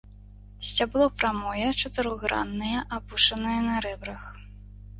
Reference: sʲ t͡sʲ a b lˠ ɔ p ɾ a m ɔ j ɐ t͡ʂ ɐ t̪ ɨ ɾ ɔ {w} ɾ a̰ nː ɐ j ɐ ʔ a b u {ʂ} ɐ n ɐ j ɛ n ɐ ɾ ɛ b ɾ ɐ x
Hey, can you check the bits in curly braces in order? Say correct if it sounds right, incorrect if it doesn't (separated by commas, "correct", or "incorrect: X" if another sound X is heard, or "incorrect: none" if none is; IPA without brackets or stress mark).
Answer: incorrect: ɣ, correct